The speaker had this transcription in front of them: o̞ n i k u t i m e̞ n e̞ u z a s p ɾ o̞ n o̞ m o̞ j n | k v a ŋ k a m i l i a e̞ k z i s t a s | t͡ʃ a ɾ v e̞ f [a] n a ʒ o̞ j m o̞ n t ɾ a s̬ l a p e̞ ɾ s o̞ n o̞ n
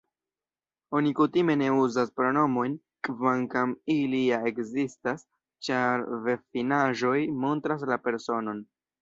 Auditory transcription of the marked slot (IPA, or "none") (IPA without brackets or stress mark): i